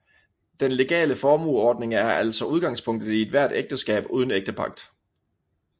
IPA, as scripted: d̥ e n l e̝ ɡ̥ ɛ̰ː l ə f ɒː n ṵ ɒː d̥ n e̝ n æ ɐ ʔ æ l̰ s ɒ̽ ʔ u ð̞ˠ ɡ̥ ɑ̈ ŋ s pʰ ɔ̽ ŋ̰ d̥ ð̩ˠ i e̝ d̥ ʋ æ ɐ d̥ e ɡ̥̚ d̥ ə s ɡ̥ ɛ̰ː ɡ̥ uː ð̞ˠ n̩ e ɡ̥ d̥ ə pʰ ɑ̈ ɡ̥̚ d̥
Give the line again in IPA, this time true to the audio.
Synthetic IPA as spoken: d̥ e n l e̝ ɡ̥ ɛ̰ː l ə f ɒː m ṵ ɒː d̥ n e̝ ŋ æ ɐ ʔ æ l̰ s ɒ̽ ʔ u ð̞ˠ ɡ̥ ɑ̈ ŋ s pʰ ɔ̽ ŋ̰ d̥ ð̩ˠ i e̝ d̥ ʋ æ ɐ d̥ e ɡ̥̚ d̥ ə s ɡ̥ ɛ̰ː b̥ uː ð̞ˠ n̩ e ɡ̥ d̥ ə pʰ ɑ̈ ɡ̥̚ d̥